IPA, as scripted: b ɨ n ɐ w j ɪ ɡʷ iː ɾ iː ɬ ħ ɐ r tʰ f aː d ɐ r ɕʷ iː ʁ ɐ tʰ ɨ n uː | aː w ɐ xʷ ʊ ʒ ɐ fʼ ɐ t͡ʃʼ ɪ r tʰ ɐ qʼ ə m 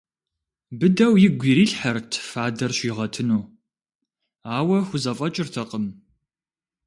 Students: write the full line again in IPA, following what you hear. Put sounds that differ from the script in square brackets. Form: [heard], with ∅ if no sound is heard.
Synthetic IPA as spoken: b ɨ [d] ɐ w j ɪ ɡʷ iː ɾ iː ɬ ħ ɐ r tʰ f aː d ɐ r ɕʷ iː ʁ ɐ tʰ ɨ n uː | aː w ɐ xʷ ʊ [z] ɐ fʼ ɐ t͡ʃʼ ɪ r tʰ ɐ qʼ ə m